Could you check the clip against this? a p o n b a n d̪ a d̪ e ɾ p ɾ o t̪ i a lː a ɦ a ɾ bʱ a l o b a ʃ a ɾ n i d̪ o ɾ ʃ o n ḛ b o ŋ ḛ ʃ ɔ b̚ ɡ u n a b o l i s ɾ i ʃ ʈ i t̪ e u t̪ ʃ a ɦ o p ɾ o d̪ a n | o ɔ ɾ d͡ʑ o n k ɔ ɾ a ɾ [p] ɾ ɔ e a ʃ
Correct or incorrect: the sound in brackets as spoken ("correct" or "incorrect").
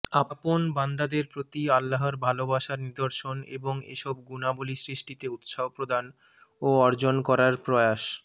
correct